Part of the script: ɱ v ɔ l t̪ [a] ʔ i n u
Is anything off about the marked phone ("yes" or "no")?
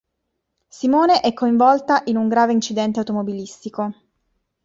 no